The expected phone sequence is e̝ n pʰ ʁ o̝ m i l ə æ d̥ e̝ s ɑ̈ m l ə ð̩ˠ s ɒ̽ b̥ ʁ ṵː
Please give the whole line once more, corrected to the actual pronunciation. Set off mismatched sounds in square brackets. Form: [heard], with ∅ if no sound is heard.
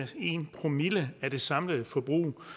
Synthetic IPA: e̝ n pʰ ʁ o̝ m i l ə æ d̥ e̝ s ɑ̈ m l ə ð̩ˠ [f] ɒ̽ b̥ ʁ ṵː